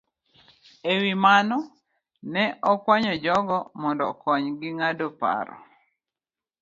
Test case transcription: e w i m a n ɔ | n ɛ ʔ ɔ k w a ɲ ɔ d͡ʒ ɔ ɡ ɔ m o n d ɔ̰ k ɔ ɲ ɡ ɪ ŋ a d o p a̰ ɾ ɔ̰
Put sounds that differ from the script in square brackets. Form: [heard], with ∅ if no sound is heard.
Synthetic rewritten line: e w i m a n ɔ | n ɛ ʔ ɔ k w a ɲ ɔ d͡ʒ ɔ ɡ ɔ m [ɔ] n d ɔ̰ k ɔ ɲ ɡ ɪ ŋ a d o p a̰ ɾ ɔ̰